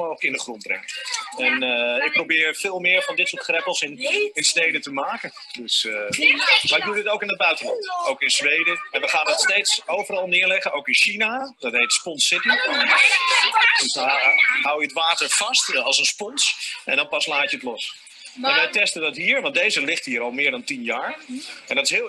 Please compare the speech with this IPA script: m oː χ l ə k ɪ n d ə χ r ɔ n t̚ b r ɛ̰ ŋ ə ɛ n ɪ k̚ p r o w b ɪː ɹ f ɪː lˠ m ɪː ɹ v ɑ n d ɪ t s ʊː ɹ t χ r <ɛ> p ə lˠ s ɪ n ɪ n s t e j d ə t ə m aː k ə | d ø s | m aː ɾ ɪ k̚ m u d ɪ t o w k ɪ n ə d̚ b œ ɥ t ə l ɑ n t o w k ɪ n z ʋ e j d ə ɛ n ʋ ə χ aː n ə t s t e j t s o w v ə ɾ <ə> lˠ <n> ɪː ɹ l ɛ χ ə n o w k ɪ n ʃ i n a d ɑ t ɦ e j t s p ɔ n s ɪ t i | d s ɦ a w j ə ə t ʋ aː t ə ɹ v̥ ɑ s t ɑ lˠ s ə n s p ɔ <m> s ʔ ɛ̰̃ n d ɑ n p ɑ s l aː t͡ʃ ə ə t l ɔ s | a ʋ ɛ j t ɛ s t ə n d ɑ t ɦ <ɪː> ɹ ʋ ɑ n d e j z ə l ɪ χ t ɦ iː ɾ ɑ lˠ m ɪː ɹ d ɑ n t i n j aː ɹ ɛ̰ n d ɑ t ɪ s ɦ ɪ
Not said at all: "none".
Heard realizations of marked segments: ɛ, ɑ, n, n, iː

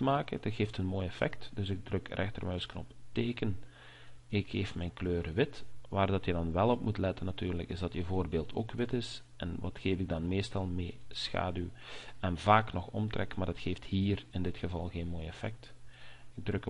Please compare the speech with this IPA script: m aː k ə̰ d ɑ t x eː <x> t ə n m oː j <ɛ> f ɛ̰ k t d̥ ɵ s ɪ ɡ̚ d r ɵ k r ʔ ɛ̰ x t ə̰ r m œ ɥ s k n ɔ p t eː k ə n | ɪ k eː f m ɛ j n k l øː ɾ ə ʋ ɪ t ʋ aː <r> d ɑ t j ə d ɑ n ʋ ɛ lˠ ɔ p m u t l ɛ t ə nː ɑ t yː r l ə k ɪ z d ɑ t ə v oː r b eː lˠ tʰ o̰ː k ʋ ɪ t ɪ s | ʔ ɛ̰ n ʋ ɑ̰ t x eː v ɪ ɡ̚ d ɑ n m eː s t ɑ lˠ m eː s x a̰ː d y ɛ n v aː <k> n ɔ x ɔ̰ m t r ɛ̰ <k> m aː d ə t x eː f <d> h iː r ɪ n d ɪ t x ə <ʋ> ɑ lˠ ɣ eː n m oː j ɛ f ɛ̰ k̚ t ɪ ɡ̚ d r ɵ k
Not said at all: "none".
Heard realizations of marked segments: f, ɛ, r, k, k, t, v

